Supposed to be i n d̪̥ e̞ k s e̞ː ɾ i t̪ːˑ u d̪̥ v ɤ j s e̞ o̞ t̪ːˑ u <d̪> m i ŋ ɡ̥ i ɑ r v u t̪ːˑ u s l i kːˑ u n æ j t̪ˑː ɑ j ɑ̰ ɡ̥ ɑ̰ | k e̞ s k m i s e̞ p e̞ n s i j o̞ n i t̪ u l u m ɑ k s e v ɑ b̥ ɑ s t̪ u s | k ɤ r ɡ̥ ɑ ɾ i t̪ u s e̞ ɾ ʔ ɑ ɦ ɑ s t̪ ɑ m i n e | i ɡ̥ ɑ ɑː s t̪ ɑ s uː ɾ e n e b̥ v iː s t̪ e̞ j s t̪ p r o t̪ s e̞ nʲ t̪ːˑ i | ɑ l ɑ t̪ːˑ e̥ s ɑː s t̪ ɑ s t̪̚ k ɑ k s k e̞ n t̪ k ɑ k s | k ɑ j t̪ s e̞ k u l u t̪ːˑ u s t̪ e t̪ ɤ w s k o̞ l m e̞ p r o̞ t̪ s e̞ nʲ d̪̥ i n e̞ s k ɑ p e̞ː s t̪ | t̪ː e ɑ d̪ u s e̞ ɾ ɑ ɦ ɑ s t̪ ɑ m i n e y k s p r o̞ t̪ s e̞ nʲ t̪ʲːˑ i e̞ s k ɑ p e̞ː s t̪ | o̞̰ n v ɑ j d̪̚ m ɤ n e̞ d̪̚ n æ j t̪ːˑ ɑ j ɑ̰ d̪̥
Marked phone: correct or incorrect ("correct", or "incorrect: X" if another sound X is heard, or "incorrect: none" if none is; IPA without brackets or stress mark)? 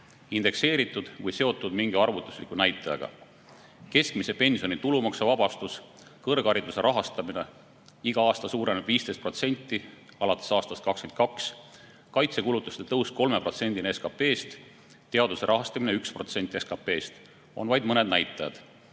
correct